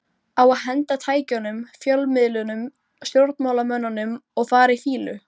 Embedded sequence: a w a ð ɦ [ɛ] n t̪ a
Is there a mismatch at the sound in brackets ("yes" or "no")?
no